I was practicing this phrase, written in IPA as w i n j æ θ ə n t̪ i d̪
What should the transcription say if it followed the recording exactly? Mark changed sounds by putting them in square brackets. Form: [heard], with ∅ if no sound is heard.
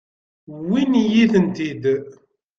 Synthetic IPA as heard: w i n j [i] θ ə n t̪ i d̪